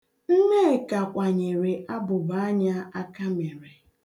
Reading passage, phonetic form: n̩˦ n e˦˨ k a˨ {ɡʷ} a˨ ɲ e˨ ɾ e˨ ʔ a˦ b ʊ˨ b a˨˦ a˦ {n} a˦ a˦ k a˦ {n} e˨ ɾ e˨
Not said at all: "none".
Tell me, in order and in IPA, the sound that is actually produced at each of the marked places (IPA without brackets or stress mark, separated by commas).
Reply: kʷ, ɲ, m